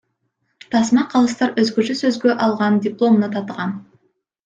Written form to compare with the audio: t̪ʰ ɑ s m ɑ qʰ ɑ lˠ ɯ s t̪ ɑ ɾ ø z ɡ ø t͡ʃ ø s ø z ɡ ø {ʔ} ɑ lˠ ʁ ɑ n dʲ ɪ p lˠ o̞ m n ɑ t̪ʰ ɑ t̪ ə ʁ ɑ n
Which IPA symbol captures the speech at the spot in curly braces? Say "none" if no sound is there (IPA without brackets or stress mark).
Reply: ʔ